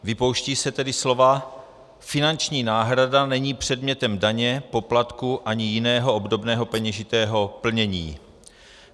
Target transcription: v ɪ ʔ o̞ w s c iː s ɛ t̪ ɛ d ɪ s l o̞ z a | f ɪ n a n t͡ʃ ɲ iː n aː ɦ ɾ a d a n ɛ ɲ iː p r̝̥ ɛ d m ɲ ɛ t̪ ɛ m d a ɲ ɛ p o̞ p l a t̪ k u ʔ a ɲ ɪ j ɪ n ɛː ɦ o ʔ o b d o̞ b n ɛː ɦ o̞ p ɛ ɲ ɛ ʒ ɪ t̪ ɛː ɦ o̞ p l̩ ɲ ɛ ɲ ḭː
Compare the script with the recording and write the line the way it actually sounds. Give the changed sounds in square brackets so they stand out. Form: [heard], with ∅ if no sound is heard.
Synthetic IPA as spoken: v ɪ [p] o̞ w [ʃ] c iː s ɛ t̪ ɛ d ɪ s l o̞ [v] a | f ɪ n a n t͡ʃ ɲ iː n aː ɦ ɾ a d a n ɛ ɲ iː p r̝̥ ɛ d m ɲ ɛ t̪ ɛ m d a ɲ ɛ p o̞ p l a t̪ k u ʔ a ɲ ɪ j ɪ n ɛː ɦ o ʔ o b d o̞ b n ɛː ɦ o̞ p ɛ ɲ ɛ ʒ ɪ t̪ ɛː ɦ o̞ p l̩ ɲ ɛ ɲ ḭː